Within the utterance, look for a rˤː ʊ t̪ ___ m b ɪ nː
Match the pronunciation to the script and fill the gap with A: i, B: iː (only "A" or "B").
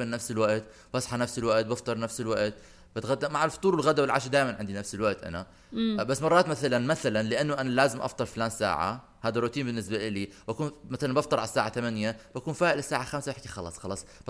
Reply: B